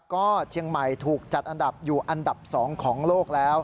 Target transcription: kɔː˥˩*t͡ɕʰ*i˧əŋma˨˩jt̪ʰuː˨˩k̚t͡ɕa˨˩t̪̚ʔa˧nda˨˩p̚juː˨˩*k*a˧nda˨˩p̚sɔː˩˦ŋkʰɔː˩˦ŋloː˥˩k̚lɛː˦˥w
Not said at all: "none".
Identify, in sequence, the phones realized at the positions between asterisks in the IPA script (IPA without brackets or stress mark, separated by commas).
t͡ɕʰ, ʔ